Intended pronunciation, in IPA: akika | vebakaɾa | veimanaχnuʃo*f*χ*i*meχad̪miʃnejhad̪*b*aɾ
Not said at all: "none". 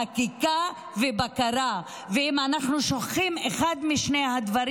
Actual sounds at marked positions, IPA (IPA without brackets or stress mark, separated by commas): χ, i, v